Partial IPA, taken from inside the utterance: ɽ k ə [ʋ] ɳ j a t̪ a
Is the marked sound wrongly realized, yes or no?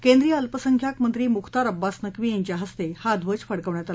no